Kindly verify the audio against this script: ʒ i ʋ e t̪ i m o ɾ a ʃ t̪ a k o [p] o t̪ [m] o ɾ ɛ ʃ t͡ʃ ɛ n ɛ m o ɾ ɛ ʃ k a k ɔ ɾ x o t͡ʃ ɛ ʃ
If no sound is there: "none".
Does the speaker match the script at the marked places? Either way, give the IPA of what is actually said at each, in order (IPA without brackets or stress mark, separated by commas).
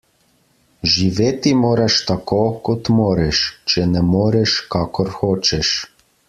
k, m